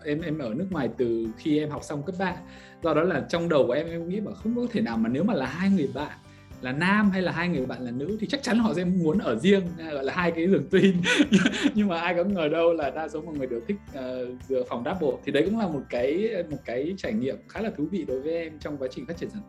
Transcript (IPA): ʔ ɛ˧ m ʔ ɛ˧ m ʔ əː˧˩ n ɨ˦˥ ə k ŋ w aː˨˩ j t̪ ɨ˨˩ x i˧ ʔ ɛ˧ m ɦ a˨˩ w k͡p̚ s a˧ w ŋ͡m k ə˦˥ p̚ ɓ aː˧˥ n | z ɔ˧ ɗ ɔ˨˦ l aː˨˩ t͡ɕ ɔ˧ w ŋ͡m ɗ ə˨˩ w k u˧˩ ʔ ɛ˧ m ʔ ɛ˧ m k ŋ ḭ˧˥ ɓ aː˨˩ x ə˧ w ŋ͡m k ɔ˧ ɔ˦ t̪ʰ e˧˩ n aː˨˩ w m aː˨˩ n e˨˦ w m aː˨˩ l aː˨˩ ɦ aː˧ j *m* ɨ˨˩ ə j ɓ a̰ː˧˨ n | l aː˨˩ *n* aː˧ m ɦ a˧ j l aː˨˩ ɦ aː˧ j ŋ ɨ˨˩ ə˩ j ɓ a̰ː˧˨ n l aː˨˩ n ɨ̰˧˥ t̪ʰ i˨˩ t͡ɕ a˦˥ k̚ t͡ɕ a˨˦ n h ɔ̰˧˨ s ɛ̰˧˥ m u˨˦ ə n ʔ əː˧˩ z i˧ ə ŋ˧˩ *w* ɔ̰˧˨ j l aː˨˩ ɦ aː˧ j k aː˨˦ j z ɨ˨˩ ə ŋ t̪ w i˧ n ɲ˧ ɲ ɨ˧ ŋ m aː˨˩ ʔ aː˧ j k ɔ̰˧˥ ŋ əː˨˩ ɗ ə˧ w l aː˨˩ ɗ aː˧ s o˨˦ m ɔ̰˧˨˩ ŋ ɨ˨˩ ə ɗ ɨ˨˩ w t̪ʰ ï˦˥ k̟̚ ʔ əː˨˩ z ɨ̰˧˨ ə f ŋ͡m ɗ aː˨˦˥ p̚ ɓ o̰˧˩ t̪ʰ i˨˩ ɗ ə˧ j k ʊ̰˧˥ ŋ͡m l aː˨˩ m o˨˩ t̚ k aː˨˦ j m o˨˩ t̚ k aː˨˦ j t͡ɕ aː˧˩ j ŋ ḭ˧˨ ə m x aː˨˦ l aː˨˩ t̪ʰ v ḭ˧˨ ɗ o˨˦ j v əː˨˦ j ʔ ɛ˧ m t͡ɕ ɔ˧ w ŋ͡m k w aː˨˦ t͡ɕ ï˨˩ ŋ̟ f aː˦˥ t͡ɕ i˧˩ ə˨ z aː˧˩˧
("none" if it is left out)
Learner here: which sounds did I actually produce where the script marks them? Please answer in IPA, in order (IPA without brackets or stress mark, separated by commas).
ŋ, n, ɣ